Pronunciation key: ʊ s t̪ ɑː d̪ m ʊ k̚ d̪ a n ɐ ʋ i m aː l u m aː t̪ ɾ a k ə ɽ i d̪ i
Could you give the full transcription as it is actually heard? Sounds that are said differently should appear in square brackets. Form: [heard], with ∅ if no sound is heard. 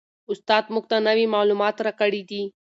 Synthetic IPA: ʊ s t̪ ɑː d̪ m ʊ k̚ [t̪] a n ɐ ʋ i m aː l u m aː t̪ ɾ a k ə ɽ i d̪ i